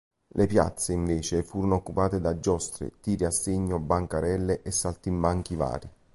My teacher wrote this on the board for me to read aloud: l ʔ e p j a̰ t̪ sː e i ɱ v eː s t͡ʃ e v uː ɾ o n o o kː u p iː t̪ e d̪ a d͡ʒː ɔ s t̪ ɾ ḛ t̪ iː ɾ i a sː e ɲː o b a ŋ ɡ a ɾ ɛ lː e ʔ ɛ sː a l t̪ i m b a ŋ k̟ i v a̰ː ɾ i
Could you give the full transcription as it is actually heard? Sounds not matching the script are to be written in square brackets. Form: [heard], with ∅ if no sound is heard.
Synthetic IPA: l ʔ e p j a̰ t̪ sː e i ɱ v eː [∅] t͡ʃ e [f] uː ɾ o n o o kː u p [aː] t̪ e d̪ a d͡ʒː ɔ s t̪ ɾ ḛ t̪ iː ɾ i a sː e ɲː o b a ŋ [k] a ɾ ɛ lː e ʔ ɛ sː a l t̪ i m b a ŋ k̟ i v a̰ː ɾ i

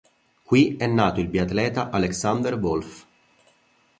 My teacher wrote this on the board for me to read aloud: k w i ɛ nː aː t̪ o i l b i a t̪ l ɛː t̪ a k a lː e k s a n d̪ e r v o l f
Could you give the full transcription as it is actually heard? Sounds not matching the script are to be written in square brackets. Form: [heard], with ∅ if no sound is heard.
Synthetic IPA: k w i ɛ nː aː t̪ o i l b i a t̪ l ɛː t̪ a [ʔ] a [l] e k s a n d̪ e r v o l f

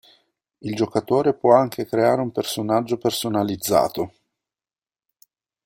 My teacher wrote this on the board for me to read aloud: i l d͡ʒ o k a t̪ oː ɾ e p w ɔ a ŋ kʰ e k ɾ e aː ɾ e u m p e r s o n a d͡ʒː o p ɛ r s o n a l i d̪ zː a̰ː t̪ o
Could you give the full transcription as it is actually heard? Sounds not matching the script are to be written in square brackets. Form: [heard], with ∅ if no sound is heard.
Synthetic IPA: i l d͡ʒ o k a t̪ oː ɾ e p w ɔ a ŋ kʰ e k ɾ e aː ɾ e u m p e r s o n a d͡ʒː o p [e] r s o n a l i d̪ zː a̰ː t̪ o

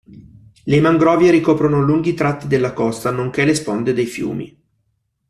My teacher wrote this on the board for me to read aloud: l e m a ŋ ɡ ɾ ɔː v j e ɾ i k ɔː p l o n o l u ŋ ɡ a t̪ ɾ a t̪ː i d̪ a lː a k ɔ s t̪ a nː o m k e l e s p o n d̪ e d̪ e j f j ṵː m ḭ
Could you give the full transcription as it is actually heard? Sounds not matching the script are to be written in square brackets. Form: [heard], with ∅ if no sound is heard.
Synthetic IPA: l e m a ŋ ɡ ɾ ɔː v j e ɾ i k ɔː p [ɾ] o n o l u ŋ ɡ [i] t̪ ɾ a t̪ː i d̪ [e] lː a k ɔ s t̪ a [n] o [ŋ] k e l e s p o n d̪ e d̪ e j f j ṵː m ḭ

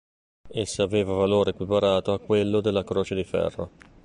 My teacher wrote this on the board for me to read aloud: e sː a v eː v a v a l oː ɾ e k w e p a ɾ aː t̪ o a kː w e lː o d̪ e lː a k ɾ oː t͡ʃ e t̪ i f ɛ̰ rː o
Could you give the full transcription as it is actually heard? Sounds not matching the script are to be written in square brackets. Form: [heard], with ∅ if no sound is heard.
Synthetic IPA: e sː a v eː v a v a l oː ɾ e k w [i] p a ɾ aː t̪ o a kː w e lː o d̪ e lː a k ɾ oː t͡ʃ e [d̪] i f ɛ̰ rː o

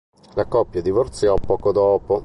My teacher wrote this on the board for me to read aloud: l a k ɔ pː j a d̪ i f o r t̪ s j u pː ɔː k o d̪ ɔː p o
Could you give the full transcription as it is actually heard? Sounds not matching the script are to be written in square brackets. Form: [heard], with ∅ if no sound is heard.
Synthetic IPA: l a k ɔ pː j a d̪ i [v] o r t̪ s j [ɔ] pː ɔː k o d̪ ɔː p o

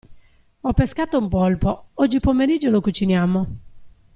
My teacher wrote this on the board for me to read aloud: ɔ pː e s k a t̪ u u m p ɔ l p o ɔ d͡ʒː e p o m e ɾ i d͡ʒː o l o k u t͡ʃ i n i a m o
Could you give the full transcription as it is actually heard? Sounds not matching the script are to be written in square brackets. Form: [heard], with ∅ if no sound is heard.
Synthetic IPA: ɔ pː e s k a t̪ [o] u m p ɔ l p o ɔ d͡ʒː [i] p o m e ɾ i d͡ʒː o l o k u t͡ʃ i n [j] a m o

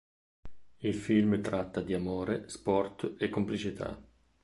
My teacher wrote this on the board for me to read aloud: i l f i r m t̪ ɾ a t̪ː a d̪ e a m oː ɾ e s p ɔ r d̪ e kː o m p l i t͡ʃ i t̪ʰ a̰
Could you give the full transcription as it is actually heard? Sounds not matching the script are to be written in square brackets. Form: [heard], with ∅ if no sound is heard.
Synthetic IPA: i l f i [l] m t̪ ɾ a t̪ː a d̪ [i] a m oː ɾ e s p ɔ r [t̪] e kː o m p l i t͡ʃ i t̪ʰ a̰

